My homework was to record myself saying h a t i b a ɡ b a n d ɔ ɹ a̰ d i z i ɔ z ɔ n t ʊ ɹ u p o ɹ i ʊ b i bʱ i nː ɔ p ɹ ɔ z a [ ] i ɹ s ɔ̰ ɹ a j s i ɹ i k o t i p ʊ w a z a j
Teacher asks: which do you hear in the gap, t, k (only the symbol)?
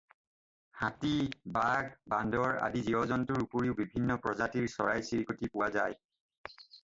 t